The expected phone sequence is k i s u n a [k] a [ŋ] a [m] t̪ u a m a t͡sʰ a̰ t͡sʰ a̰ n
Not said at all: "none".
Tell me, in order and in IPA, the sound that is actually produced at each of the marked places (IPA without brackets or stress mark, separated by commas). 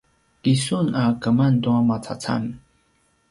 k, m, n